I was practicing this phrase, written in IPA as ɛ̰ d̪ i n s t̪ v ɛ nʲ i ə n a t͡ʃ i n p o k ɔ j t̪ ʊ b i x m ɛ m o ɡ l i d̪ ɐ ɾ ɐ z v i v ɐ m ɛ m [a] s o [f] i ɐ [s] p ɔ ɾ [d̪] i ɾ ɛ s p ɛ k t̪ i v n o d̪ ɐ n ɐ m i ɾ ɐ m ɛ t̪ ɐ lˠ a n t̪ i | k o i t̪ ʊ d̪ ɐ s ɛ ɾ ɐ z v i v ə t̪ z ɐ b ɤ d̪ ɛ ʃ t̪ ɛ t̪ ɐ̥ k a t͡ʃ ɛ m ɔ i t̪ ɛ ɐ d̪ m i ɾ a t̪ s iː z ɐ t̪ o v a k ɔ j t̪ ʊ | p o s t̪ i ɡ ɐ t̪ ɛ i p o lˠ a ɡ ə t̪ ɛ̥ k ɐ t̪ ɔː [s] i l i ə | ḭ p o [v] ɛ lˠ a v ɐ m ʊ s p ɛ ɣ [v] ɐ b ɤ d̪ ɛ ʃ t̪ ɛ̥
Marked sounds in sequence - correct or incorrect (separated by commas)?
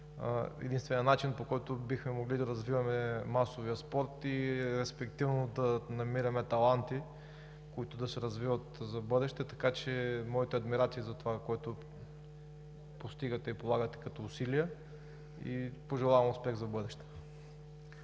correct, incorrect, correct, incorrect, correct, incorrect, incorrect